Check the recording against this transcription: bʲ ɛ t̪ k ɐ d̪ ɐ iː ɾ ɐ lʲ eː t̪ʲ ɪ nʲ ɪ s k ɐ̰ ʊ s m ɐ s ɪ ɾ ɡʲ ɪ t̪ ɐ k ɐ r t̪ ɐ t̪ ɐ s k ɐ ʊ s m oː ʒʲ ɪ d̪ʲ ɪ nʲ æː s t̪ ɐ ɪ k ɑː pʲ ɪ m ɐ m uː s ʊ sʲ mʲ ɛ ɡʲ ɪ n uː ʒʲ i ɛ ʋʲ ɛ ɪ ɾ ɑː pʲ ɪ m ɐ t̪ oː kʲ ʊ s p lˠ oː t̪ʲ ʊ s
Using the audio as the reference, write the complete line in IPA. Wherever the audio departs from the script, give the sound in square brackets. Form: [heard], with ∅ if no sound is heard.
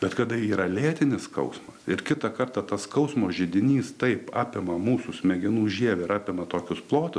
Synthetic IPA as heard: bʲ ɛ t̪ k ɐ d̪ ɐ iː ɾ ɐ lʲ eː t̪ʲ ɪ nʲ ɪ s k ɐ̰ ʊ s m ɐ s ɪ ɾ [kʲ] ɪ t̪ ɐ k ɐ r t̪ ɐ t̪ ɐ s k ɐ ʊ s m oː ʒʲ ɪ d̪ʲ ɪ nʲ [iː] s t̪ ɐ ɪ [p] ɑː pʲ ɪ m ɐ m uː s ʊ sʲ mʲ ɛ ɡʲ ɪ n uː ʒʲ i ɛ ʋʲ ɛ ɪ ɾ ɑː pʲ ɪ m ɐ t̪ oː kʲ ʊ s p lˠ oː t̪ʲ ʊ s

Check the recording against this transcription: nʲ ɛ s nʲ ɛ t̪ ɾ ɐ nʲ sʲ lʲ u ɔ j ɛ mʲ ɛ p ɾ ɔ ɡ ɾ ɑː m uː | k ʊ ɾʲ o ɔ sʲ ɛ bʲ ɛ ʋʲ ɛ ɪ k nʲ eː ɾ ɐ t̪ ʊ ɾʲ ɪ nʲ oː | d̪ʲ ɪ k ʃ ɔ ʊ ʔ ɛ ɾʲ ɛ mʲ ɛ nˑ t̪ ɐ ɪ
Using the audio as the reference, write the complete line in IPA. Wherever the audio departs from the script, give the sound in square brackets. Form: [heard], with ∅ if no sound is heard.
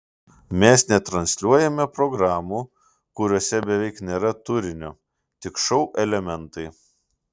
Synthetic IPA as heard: [mʲ] ɛ s nʲ ɛ t̪ ɾ ɐ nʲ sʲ lʲ u ɔ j ɛ mʲ ɛ p ɾ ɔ ɡ ɾ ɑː m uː | k ʊ ɾʲ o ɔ sʲ ɛ bʲ ɛ ʋʲ ɛ ɪ k nʲ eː ɾ ɐ t̪ ʊ ɾʲ ɪ nʲ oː | [t̪ʲ] ɪ k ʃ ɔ ʊ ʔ ɛ [lʲ] ɛ mʲ ɛ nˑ t̪ ɐ ɪ

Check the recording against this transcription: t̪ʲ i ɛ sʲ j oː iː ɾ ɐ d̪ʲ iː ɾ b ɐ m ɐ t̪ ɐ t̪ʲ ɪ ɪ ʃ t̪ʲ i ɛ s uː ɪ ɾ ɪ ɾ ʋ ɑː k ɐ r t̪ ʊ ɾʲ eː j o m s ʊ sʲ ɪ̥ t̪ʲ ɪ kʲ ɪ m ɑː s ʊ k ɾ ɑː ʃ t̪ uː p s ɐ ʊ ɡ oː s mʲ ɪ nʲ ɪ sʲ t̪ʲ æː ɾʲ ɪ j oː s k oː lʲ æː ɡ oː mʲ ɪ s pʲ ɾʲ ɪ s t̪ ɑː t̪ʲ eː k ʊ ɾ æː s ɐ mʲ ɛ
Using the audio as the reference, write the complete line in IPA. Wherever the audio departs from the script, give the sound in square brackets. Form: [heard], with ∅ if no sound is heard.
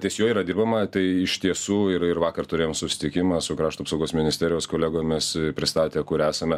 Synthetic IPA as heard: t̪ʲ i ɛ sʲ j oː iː ɾ ɐ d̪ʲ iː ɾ b ɐ m ɐ t̪ ɐ [∅] ɪ ɪ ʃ t̪ʲ i ɛ s uː ɪ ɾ ɪ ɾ ʋ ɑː k ɐ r t̪ ʊ ɾʲ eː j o m s ʊ sʲ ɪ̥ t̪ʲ ɪ kʲ ɪ m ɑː s ʊ k ɾ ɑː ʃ t̪ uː p s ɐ ʊ ɡ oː s mʲ ɪ nʲ ɪ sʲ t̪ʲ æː ɾʲ ɪ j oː s k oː lʲ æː ɡ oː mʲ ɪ s pʲ ɾʲ ɪ s t̪ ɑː t̪ʲ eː k ʊ ɾ æː s ɐ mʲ ɛ

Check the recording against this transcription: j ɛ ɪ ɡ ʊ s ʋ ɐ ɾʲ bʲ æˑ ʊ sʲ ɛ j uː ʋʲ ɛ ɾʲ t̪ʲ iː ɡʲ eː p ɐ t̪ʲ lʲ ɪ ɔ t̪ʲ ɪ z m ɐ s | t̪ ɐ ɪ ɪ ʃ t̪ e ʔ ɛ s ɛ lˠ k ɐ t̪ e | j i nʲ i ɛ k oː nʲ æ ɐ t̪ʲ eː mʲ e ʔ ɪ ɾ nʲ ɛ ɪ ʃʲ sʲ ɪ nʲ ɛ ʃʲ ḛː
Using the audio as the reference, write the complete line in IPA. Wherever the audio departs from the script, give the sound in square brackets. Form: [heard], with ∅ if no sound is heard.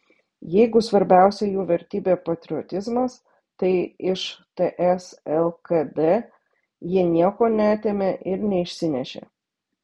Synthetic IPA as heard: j ɛ ɪ ɡ ʊ s ʋ ɐ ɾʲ bʲ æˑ ʊ sʲ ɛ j uː ʋʲ ɛ ɾʲ t̪ʲ iː [bʲ] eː p ɐ t̪ʲ [ɾʲ] ɪ ɔ t̪ʲ ɪ z m ɐ s | t̪ ɐ ɪ ɪ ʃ t̪ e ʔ ɛ s ɛ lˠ k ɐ [d̪] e | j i nʲ i ɛ k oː nʲ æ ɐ t̪ʲ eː mʲ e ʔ ɪ ɾ nʲ ɛ ɪ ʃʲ sʲ ɪ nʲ ɛ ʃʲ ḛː

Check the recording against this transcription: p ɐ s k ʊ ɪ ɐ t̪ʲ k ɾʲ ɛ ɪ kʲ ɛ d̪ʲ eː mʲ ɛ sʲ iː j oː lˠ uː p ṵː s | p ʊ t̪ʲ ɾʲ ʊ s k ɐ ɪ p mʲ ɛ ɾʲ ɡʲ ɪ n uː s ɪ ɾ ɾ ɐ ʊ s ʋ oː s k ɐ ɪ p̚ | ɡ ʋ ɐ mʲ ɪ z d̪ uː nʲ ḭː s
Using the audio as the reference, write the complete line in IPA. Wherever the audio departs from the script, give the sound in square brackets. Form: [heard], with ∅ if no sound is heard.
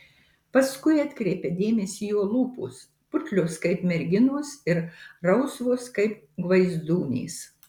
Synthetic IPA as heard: p ɐ s k ʊ ɪ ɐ t̪ʲ k ɾʲ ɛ ɪ [pʲ] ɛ d̪ʲ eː mʲ ɛ sʲ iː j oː lˠ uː p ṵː s | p ʊ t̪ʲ [lʲ] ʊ s k ɐ ɪ p mʲ ɛ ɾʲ ɡʲ ɪ n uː s ɪ ɾ ɾ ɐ ʊ s ʋ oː s k ɐ ɪ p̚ | ɡ ʋ ɐ [∅] ɪ z d̪ uː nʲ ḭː s

